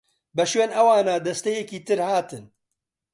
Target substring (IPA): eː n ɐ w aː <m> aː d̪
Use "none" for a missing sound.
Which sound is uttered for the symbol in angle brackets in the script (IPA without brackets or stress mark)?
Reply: n